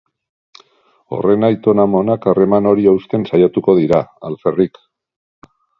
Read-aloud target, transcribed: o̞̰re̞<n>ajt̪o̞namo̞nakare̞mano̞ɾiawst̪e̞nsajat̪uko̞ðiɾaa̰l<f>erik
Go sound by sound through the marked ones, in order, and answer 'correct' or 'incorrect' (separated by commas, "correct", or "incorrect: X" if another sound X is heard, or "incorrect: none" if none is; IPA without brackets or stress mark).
correct, correct